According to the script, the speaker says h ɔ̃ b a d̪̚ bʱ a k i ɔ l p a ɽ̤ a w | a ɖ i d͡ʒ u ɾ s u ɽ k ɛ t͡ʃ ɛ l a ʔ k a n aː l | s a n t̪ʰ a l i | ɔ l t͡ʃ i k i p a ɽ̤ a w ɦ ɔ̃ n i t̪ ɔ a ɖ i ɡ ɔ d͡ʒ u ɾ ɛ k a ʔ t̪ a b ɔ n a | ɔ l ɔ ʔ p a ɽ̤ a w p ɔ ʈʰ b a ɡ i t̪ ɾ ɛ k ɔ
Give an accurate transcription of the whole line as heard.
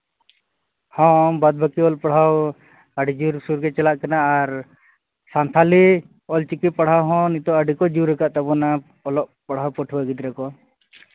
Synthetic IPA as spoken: h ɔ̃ b a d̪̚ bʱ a k i ɔ l p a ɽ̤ a w | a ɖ i d͡ʒ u ɾ s u ɾ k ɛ t͡ʃ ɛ l a ʔ k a n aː ɾ | s a n t̪ʰ a l i | ɔ l t͡ʃ i k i p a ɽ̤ a w ɦ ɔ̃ n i t̪ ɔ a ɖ i k ɔ d͡ʒ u ɾ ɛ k a ʔ t̪ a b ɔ n a | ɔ l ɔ ʔ p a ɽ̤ a w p ɔ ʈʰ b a ɡ i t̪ ɾ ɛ k ɔ